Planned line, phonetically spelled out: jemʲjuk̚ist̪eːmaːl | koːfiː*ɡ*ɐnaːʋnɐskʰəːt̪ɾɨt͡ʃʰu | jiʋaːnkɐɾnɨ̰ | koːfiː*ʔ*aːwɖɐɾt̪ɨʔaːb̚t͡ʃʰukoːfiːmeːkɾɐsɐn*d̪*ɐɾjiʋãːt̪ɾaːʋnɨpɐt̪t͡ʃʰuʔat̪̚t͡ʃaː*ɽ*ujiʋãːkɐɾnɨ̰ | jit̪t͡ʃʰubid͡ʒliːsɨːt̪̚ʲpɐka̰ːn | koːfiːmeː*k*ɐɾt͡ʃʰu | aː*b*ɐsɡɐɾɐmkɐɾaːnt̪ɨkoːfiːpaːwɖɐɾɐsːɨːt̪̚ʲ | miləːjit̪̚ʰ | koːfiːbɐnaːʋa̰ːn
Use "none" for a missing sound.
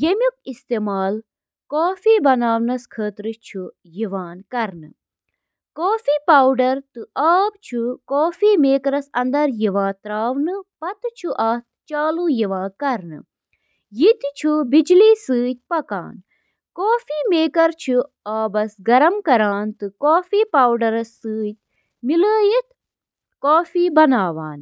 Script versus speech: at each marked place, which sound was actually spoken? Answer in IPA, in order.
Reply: b, p, d̪, l, k, b

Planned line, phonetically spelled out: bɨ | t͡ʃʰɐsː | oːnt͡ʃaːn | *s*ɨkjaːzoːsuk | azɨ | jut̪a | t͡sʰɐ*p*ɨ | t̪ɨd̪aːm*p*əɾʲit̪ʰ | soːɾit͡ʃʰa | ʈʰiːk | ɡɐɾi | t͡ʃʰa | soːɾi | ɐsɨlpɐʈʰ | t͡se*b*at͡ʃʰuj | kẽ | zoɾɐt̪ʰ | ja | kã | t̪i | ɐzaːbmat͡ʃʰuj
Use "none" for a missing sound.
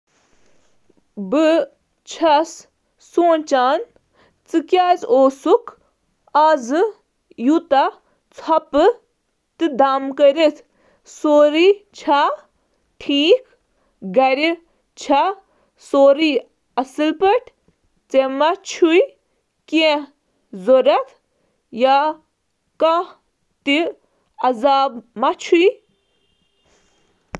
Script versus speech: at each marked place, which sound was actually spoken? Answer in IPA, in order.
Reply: t͡s, p, k, m

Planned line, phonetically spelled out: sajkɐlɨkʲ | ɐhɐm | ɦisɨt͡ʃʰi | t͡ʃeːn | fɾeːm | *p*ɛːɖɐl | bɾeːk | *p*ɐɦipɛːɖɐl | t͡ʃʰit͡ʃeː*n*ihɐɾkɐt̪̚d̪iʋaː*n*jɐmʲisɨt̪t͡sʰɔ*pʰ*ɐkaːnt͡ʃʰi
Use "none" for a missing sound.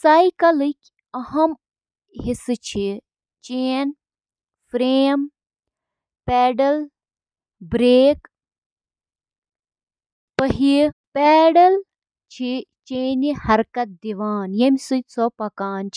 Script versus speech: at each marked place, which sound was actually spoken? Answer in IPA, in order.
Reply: p, p, n, n, p

